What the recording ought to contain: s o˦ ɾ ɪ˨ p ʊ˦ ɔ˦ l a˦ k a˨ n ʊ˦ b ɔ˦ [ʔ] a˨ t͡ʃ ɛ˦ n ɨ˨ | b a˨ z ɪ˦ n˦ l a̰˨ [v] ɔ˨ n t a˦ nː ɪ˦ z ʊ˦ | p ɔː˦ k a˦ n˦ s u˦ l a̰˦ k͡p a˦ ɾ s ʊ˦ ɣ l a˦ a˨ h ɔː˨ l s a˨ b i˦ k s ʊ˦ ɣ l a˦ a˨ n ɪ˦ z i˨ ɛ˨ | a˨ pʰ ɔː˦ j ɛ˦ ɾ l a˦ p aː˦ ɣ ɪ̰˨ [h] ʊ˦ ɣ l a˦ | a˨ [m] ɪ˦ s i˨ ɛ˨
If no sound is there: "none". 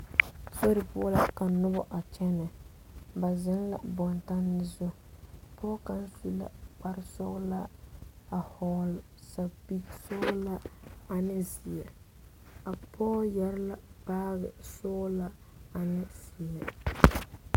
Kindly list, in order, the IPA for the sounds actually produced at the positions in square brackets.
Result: ʔ, b, s, n

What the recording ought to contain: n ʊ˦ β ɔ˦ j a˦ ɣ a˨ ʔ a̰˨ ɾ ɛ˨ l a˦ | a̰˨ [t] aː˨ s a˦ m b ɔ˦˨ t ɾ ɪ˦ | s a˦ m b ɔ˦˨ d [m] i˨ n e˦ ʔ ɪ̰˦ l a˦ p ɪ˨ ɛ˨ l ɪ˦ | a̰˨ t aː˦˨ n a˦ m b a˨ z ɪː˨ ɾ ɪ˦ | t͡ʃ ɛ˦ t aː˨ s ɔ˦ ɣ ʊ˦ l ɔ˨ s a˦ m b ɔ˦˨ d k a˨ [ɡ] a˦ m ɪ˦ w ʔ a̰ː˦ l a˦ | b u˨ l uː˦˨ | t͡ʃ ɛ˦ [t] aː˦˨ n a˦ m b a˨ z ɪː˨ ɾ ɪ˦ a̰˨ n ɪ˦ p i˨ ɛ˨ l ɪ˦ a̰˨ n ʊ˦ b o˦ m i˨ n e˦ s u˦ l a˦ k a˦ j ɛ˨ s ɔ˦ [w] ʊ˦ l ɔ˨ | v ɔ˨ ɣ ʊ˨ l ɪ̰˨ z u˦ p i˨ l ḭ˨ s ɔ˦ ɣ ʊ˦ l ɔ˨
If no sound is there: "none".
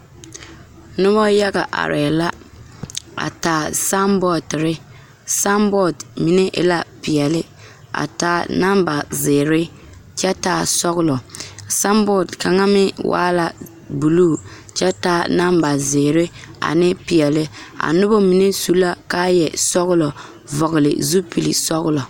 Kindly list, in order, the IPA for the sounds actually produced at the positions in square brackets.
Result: t, m, ŋ, t, ɣ

